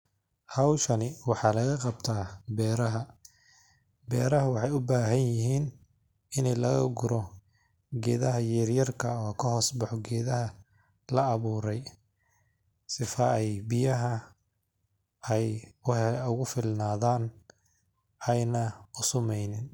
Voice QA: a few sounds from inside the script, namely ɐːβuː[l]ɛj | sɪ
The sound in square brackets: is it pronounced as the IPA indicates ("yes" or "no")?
no